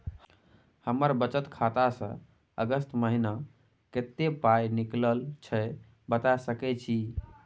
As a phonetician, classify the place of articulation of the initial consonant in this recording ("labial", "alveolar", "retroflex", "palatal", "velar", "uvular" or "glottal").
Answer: glottal